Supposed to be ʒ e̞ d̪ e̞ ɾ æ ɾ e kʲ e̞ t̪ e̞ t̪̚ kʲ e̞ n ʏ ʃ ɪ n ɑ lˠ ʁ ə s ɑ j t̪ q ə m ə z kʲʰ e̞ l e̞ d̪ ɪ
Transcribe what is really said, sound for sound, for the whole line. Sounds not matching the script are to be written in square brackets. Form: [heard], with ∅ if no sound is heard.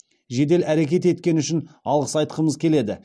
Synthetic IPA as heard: ʒ e̞ d̪ e̞ [l] æ ɾ e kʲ e̞ t̪ e̞ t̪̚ kʲ e̞ n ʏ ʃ ɪ n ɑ lˠ ʁ ə s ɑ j t̪ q ə m ə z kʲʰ e̞ l e̞ d̪ ɪ